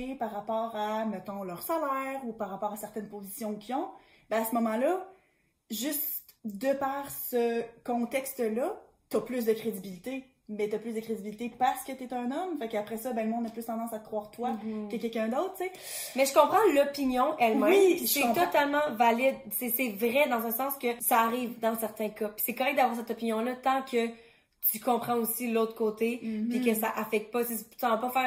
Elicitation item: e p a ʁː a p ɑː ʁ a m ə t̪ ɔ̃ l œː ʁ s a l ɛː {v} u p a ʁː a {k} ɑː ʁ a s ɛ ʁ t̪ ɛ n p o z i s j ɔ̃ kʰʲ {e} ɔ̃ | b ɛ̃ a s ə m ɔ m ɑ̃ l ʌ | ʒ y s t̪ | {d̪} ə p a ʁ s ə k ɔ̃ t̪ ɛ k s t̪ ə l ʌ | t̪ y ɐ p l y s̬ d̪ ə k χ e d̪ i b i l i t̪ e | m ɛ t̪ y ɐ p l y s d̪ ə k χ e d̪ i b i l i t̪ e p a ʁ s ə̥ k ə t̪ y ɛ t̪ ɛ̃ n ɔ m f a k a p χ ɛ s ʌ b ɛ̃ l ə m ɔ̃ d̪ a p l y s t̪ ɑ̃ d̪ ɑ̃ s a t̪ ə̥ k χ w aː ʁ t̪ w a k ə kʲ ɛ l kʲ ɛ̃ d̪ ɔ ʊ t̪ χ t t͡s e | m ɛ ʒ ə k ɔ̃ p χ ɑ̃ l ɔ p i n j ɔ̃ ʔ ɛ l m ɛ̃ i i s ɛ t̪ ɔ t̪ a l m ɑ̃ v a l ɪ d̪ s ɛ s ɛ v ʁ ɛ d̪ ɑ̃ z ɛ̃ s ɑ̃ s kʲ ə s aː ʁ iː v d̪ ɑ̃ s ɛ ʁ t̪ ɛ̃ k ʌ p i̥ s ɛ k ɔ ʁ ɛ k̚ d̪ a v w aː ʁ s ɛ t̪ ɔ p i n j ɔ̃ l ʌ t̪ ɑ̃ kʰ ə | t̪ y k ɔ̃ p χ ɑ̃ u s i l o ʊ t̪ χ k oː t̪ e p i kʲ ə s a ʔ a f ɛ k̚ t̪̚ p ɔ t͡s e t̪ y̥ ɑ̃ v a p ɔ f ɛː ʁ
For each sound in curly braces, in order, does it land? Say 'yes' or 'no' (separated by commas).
no, no, no, yes